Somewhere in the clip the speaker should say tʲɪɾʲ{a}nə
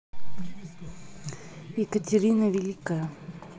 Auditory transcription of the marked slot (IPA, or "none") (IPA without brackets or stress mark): i